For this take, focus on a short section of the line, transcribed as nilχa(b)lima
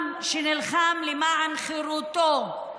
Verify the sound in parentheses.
incorrect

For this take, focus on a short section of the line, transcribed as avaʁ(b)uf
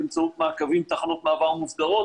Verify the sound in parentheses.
incorrect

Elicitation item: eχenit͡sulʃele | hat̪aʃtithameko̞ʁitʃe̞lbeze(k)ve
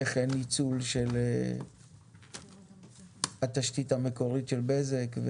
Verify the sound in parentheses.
correct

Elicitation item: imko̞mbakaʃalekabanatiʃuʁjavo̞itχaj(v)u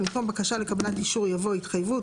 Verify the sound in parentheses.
correct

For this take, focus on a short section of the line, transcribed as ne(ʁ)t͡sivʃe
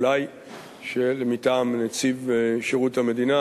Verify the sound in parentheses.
incorrect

